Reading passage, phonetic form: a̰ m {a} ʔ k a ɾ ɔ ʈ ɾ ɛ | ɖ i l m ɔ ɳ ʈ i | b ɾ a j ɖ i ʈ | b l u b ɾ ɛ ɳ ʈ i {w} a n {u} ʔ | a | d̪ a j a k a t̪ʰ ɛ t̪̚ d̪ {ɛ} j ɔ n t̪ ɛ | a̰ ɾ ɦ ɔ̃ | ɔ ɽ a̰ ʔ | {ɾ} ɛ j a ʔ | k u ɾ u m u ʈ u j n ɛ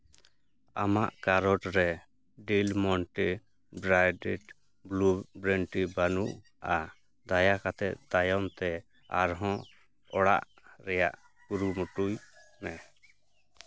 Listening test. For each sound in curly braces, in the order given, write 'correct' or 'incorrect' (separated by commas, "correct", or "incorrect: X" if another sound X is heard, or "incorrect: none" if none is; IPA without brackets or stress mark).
correct, incorrect: b, correct, incorrect: a, correct